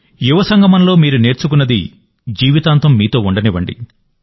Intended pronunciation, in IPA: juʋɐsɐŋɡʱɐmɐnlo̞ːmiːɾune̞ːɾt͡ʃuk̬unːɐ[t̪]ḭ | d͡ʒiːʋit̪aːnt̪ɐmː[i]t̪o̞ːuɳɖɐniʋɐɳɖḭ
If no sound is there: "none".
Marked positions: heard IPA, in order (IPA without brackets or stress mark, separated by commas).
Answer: d̪, iː